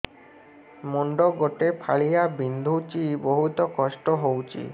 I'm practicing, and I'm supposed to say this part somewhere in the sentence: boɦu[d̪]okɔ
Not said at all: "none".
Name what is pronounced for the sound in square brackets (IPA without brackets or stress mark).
t̪